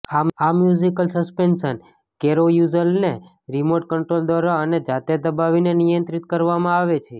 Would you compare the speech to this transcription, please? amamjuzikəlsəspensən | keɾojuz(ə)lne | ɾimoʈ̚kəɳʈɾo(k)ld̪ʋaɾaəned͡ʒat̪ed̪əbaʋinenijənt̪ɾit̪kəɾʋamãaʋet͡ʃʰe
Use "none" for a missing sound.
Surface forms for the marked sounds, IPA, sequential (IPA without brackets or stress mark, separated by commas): ə, none